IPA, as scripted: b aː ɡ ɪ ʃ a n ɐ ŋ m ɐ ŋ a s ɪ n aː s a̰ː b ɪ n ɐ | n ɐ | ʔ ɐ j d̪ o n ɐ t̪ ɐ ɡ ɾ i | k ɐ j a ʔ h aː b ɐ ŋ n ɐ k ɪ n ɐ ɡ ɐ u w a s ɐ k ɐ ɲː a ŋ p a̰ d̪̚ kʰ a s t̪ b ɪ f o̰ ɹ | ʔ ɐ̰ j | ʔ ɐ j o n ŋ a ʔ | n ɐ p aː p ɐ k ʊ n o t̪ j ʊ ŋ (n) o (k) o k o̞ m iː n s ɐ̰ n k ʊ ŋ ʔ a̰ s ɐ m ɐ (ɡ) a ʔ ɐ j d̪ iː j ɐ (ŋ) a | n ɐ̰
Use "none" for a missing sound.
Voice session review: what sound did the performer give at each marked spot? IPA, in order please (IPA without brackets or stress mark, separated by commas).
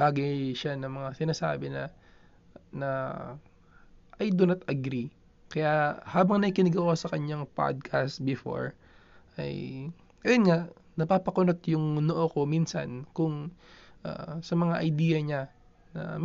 n, ʔ, ŋ, ɲ